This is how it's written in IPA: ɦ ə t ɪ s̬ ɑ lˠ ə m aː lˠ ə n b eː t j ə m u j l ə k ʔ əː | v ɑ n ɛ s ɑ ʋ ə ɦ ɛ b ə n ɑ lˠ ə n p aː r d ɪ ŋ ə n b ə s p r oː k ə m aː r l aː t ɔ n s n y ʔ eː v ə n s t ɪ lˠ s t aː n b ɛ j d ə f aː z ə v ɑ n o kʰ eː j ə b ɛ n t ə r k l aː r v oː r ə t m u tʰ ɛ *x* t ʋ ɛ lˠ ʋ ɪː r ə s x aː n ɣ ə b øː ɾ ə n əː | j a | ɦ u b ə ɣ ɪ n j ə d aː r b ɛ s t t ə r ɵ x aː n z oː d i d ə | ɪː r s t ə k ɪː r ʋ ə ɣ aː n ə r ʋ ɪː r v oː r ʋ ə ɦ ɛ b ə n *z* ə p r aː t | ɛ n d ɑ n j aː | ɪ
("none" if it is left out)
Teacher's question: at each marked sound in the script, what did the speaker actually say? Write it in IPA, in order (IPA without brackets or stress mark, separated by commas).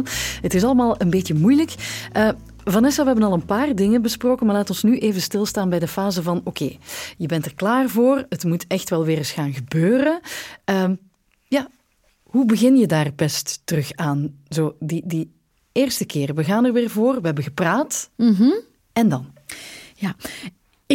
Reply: x, ɣ